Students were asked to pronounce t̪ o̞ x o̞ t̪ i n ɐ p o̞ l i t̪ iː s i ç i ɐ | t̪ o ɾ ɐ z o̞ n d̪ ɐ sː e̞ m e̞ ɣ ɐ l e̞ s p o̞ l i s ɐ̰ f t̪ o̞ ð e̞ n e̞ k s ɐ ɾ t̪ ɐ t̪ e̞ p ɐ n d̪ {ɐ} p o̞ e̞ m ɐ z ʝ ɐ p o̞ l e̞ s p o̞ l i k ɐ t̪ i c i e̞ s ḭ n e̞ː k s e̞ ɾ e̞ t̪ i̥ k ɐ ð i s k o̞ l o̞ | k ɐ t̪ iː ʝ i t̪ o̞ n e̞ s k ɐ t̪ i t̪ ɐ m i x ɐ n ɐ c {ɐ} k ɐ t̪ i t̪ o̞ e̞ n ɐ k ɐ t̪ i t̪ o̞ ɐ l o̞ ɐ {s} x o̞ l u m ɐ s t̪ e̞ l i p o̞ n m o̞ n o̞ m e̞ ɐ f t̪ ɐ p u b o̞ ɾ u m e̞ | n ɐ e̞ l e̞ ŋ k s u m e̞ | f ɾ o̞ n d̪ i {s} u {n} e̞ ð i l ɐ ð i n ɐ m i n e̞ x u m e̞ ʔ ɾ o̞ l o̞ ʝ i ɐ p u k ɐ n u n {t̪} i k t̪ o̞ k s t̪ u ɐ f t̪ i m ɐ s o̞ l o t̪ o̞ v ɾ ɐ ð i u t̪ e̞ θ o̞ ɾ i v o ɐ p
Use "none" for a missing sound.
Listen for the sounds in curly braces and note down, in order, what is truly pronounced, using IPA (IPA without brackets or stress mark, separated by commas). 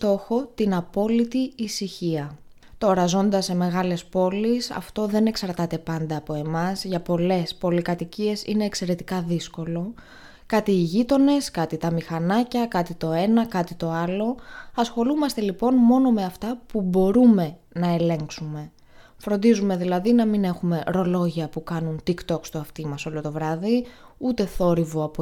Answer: ɐː, ɐ, s, z, m, t̪